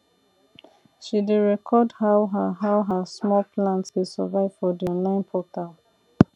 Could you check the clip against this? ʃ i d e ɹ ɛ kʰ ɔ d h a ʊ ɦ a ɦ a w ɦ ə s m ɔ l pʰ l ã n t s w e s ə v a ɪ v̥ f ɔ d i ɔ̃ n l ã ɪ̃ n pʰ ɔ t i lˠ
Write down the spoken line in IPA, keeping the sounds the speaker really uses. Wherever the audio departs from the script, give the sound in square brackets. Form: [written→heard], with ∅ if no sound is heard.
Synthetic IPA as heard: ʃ i d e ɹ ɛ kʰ ɔ d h a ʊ ɦ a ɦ a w ɦ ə s m ɔ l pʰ l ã n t s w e s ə v a ɪ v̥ f ɔ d i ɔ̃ n l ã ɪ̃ n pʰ ɔ t [i→a] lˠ